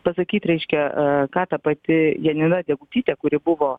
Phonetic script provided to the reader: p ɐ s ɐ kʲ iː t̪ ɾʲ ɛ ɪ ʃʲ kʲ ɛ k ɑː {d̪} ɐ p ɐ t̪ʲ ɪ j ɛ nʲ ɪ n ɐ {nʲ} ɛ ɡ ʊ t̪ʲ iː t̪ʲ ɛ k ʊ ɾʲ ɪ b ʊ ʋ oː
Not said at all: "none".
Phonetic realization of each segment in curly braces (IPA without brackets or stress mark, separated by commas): t̪, dʲ